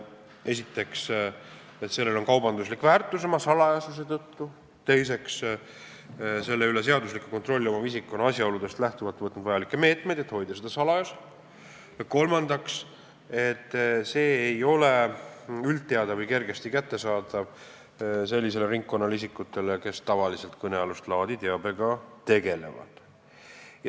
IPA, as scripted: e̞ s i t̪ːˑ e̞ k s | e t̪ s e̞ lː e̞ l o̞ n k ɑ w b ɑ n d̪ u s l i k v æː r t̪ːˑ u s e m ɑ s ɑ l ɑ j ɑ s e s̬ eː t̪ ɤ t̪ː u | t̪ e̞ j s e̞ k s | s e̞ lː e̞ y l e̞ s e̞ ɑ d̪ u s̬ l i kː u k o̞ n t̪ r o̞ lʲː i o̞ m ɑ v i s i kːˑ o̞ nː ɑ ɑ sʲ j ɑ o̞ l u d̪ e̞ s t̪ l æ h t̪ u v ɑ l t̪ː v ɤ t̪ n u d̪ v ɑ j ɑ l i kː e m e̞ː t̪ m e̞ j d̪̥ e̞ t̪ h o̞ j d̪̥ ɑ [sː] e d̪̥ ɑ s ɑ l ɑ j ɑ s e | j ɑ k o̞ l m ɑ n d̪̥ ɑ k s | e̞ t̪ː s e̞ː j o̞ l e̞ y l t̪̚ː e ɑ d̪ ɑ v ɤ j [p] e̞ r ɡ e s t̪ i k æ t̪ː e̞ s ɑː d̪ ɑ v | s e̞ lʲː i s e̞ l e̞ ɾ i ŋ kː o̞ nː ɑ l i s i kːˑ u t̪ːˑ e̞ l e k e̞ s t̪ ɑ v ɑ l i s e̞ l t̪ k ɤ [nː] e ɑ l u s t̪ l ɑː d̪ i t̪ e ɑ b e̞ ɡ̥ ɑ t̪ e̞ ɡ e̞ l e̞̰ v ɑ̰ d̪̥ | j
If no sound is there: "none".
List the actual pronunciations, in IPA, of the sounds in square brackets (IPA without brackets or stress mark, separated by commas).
s, k, n